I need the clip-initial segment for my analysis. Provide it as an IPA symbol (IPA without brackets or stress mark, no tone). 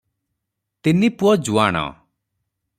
t̪